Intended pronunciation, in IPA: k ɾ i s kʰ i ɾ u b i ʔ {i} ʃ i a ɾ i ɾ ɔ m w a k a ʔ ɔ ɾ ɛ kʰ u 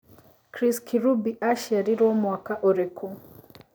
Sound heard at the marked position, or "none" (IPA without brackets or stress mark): a